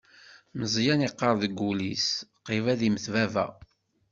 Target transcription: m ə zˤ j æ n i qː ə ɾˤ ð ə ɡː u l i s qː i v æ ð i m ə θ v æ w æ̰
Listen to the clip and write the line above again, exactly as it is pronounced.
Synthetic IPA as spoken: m ə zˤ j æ n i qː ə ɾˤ ð ə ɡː u l i s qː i v æ ð i m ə θ v æ v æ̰